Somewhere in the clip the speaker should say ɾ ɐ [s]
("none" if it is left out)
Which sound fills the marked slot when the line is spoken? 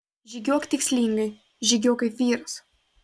s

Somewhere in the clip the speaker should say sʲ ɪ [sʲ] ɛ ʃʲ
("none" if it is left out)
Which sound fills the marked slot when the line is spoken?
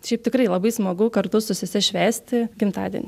sʲ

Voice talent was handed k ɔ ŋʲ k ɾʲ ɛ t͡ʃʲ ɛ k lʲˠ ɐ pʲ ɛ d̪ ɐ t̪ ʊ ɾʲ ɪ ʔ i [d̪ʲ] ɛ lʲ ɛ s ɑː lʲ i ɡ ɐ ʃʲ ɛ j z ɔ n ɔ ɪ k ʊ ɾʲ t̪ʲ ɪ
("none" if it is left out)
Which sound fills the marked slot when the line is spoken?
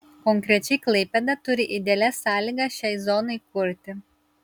d̪ʲ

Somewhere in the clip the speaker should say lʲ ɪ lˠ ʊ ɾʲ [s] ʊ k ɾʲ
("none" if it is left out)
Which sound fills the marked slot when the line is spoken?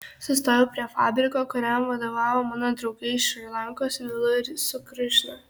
s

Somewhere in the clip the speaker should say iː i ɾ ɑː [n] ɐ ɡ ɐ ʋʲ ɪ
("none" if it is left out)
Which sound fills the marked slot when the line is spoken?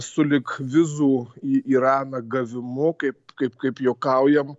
n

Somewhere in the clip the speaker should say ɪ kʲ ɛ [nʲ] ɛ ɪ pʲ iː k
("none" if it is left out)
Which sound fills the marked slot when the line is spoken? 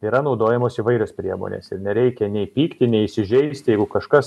nʲ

